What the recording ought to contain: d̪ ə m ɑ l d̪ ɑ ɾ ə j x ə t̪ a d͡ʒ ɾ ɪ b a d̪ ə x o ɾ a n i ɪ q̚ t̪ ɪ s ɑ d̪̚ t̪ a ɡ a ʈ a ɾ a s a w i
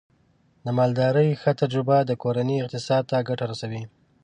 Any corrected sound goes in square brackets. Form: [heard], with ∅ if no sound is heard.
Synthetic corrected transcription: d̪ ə m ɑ l d̪ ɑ ɾ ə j x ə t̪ a d͡ʒ ɾ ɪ b a d̪ ə [k] o ɾ a n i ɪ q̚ t̪ ɪ s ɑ d̪̚ t̪ a ɡ a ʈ a ɾ a s a w i